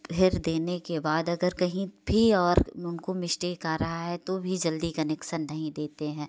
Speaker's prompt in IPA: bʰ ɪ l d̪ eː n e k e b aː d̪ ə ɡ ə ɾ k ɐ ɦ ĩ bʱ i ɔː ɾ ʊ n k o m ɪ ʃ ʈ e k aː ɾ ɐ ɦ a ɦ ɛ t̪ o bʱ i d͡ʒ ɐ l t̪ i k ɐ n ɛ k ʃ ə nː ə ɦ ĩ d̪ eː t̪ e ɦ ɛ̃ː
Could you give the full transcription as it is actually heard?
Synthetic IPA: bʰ ɪ ɾ d̪ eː n e k e b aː d̪ ɐ ɡ ə ɾ k ɐ ɦ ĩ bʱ i ɔː ɾ ʊ n k o m ɪ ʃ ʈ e k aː ɾ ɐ ɦ a ɦ ɛ t̪ o bʱ i d͡ʒ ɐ l d̪ i k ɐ n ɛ k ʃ ə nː ɐ ɦ ĩ d̪ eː t̪ e ɦ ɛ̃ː